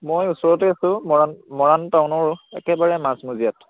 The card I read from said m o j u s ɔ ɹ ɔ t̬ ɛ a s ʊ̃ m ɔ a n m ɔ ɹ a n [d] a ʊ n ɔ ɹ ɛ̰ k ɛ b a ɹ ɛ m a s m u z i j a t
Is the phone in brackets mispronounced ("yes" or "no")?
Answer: yes